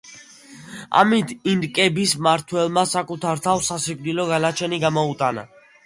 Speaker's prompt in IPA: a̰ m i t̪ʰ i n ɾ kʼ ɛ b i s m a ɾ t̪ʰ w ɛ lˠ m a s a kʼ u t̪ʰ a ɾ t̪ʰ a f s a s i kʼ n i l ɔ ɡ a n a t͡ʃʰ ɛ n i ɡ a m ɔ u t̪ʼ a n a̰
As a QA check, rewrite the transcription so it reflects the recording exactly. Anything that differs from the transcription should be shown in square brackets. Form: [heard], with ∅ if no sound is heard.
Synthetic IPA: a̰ m i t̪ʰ i n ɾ kʼ ɛ b i s m a ɾ t̪ʰ w ɛ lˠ m a s a kʼ u t̪ʰ a ɾ t̪ʰ a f s a s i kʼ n i l ɔ ɡ a n a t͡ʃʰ ɛ n i ɡ a m ɔ u t̪ʼ a n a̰